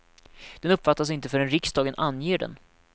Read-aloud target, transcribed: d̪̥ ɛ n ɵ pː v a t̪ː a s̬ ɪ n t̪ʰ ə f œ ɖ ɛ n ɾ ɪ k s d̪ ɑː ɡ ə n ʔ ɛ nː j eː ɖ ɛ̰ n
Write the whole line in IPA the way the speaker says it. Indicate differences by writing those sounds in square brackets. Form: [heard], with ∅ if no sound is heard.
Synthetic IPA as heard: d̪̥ ɛ n ɵ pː [f] a t̪ː a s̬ ɪ n [t̪] ə f œ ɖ ɛ n ɾ ɪ k s d̪ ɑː ɡ ə n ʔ [a] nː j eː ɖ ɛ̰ n